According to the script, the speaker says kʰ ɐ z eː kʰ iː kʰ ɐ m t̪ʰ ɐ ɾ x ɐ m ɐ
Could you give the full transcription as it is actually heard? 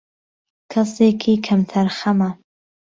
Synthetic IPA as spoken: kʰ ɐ s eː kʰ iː kʰ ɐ m t̪ʰ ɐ ɾ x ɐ m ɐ